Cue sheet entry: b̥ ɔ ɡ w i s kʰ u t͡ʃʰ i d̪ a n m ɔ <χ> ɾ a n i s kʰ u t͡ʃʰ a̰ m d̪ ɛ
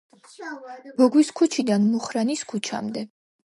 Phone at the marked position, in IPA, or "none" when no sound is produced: χ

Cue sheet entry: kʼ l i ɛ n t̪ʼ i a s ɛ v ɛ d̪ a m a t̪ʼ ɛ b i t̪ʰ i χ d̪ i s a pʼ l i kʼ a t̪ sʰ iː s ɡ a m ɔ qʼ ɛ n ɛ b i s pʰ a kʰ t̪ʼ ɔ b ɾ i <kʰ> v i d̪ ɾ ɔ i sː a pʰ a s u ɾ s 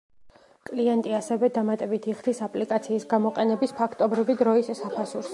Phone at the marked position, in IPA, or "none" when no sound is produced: none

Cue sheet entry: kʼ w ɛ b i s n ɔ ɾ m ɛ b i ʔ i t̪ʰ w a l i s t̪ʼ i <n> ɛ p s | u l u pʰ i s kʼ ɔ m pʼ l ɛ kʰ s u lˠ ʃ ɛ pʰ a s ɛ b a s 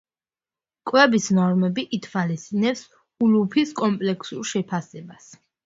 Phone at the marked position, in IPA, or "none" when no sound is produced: n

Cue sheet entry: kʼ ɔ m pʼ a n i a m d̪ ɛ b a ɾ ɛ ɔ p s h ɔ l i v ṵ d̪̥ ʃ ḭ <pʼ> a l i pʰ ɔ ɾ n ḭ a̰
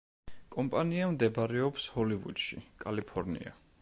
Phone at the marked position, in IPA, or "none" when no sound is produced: kʼ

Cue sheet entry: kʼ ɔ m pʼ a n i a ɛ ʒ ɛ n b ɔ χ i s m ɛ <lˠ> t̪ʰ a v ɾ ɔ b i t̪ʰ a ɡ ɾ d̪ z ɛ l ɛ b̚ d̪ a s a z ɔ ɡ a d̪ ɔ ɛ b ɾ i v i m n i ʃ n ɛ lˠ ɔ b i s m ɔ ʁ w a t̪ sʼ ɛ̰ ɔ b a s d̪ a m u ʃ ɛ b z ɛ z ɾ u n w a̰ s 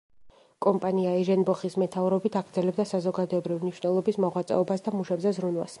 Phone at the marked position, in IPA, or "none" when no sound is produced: none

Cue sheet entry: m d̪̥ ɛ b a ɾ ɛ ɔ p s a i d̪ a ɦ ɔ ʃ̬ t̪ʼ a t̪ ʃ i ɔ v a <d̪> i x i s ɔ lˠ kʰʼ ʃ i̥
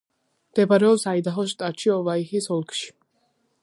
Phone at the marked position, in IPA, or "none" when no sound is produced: none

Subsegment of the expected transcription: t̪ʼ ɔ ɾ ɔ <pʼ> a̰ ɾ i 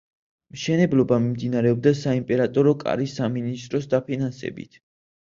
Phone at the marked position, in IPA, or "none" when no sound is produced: kʼ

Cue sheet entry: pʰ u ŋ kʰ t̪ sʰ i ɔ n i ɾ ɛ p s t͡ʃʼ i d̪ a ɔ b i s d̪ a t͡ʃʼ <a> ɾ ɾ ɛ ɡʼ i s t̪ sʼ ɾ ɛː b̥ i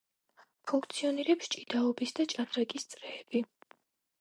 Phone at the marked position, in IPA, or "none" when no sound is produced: a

